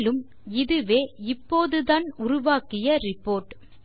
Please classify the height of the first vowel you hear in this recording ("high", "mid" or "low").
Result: high